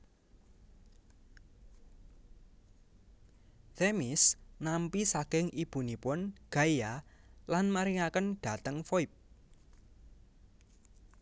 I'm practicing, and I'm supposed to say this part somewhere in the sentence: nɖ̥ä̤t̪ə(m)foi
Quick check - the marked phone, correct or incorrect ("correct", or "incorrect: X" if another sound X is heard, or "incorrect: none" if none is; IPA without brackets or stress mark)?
incorrect: ŋ